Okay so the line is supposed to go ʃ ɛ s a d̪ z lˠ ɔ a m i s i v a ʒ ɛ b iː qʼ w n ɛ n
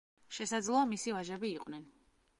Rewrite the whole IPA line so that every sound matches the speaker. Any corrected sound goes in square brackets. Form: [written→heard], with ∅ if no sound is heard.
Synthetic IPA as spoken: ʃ ɛ s a d̪ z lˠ ɔ a m i s i v a ʒ ɛ b iː qʼ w n ɛ n